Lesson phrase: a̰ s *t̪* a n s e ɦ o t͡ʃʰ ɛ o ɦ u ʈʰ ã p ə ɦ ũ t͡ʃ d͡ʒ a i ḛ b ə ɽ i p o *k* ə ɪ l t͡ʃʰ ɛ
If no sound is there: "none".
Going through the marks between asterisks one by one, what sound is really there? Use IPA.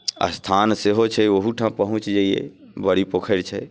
t̪ʰ, kʰ

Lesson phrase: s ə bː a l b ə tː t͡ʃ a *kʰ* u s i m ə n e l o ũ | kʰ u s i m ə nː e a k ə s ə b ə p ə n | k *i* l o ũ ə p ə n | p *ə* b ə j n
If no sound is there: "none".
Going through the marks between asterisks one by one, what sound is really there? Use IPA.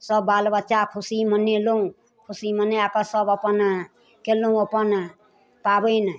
kʰ, e, a

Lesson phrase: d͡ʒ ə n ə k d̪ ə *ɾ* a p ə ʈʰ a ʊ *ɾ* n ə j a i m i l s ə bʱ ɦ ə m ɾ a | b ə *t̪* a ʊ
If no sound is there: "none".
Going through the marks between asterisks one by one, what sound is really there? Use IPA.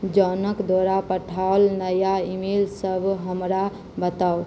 ɾ, l, t̪

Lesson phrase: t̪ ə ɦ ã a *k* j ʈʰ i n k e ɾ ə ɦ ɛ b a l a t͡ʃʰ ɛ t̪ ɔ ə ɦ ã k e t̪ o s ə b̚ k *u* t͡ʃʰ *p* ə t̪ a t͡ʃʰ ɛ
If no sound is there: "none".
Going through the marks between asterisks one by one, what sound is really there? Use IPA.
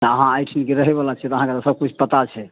none, u, p

